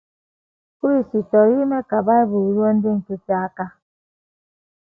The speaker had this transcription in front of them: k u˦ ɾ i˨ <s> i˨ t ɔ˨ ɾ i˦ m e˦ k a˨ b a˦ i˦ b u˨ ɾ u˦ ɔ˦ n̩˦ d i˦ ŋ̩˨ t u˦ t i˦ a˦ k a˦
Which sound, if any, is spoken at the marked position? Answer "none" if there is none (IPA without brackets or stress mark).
s